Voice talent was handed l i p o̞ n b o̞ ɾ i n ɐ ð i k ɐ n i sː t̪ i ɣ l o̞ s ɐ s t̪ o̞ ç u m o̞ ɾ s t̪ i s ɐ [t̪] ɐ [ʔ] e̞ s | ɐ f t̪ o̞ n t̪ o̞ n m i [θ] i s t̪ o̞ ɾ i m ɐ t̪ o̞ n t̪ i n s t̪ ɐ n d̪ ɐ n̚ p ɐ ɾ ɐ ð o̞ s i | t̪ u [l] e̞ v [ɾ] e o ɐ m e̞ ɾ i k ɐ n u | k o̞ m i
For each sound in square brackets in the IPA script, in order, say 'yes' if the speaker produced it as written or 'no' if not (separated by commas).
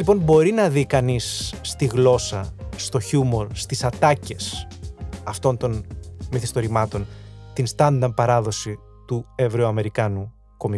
yes, no, yes, no, yes